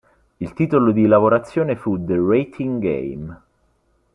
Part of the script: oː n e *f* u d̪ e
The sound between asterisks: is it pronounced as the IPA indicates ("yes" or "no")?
yes